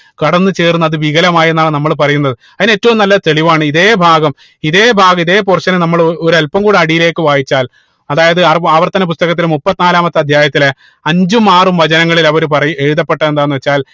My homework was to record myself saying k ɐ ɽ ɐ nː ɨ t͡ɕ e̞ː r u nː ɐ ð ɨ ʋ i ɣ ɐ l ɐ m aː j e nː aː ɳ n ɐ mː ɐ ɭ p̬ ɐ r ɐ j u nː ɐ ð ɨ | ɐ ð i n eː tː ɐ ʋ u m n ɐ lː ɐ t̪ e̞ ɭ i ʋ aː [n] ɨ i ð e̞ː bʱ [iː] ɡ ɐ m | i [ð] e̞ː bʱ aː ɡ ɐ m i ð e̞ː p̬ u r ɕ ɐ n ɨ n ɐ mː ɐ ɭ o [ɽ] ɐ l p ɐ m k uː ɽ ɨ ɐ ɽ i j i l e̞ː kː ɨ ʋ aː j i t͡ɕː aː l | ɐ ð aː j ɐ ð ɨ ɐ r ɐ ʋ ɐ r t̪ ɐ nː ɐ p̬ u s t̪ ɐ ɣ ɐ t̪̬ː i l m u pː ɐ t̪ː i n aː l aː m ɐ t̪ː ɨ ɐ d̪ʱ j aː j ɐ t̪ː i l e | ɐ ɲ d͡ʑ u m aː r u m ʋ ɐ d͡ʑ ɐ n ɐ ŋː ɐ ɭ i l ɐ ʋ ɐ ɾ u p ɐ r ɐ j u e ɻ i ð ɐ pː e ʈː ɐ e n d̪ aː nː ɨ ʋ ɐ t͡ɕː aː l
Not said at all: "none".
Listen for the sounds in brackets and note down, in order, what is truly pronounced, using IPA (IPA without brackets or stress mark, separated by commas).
ɳ, aː, ð, ɾ